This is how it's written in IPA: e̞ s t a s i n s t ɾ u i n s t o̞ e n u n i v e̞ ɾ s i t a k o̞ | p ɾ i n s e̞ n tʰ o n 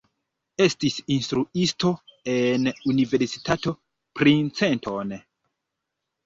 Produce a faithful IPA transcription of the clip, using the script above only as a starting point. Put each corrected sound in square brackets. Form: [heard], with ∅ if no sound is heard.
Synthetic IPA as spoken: e̞ s t [i] s i n s t ɾ u i [∅] s t o̞ e n u n i v e̞ ɾ s i t a [t] o̞ | p ɾ i n [t͡s] e̞ n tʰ o n